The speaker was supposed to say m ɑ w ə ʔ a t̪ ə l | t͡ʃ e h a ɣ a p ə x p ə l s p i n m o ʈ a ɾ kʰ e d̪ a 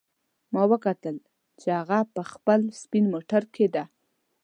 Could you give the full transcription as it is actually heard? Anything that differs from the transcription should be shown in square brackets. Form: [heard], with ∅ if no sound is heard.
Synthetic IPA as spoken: m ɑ w ə [k] a t̪ ə l | t͡ʃ e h a ɣ a p ə x p ə l s p i n m o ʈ a ɾ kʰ e d̪ a

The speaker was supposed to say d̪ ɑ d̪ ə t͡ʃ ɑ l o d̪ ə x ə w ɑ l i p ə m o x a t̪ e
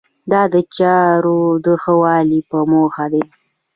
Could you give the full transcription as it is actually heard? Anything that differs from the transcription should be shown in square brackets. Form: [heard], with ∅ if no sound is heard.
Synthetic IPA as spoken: d̪ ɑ d̪ ə t͡ʃ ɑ [ɾ] o d̪ ə x ə w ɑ l i p ə m o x a [d̪] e

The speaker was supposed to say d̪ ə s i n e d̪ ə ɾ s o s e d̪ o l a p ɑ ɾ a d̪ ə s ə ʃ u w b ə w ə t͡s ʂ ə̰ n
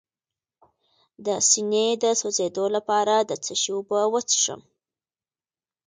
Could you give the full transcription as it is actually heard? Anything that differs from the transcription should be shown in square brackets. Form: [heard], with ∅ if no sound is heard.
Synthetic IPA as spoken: d̪ ə s i n e d̪ ə [∅] s o [z] e d̪ o l a p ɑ ɾ a d̪ ə [t͡s] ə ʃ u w b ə w ə t͡s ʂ ə̰ [m]

